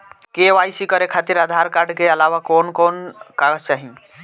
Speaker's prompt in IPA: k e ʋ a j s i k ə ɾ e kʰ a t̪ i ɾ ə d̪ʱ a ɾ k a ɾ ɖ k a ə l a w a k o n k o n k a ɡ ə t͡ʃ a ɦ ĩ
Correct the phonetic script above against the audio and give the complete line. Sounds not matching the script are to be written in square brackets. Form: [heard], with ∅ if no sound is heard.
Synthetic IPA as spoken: k e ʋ a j s i k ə ɾ e kʰ a t̪ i ɾ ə d̪ʱ a ɾ k a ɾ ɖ k [e] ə l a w a k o n k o n k a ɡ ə t͡ʃ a ɦ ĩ